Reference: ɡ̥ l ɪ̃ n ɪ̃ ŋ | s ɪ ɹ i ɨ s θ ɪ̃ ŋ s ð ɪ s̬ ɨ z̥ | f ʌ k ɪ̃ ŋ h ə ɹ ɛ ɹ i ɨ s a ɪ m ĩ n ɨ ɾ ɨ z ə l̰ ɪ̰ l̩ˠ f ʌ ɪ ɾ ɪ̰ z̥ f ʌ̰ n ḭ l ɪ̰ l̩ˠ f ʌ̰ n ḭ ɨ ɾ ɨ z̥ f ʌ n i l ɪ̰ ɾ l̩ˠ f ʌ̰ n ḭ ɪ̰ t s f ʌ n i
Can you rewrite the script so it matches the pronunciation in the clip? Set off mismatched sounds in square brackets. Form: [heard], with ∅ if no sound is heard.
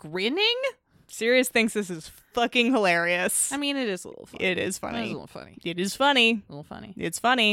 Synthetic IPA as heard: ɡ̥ [ɹ] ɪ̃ n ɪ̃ ŋ | s ɪ ɹ i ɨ s θ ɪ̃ ŋ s ð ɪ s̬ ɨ z̥ | f ʌ k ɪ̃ ŋ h ə [l] ɛ ɹ i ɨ s a ɪ m ĩ n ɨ ɾ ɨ z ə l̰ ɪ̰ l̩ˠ f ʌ ɪ ɾ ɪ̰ z̥ f ʌ̰ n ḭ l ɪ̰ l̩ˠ f ʌ̰ n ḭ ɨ ɾ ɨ z̥ f ʌ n i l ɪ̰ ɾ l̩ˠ f ʌ̰ n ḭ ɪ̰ t s f ʌ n i